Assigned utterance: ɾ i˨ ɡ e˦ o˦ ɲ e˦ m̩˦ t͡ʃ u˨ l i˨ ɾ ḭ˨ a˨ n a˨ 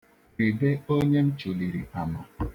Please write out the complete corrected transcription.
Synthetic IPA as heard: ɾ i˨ b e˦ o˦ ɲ e˦ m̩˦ t͡ʃ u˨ l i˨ ɾ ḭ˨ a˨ m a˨